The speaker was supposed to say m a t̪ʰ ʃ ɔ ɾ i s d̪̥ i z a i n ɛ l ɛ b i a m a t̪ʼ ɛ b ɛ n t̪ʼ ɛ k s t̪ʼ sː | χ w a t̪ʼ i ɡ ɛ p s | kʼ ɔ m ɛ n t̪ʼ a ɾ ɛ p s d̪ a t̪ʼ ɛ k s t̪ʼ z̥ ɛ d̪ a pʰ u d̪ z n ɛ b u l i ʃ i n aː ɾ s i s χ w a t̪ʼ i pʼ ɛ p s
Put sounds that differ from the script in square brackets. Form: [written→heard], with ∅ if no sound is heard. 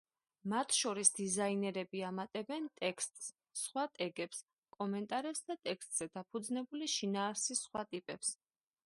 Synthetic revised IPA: m a t̪ʰ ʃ ɔ ɾ i s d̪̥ i z a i n ɛ [l→ɾ] ɛ b i a m a t̪ʼ ɛ b ɛ n t̪ʼ ɛ k s t̪ʼ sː | χ w a t̪ʼ [i→ɛ] ɡ ɛ p s | kʼ ɔ m ɛ n t̪ʼ a ɾ ɛ p s d̪ a t̪ʼ ɛ k s t̪ʼ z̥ ɛ d̪ a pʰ u d̪ z n ɛ b u l i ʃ i n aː ɾ s i s χ w a t̪ʼ i pʼ ɛ p s